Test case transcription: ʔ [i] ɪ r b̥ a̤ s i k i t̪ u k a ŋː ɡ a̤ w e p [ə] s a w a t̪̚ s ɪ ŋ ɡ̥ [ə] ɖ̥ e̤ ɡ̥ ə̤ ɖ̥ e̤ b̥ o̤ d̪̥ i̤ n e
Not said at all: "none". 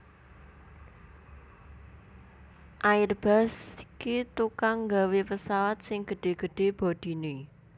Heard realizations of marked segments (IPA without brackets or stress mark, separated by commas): a, ə, ə